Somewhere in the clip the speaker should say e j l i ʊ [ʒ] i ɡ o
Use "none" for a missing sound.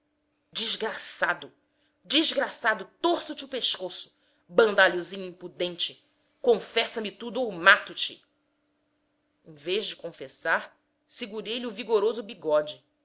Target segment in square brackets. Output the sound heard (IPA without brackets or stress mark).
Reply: v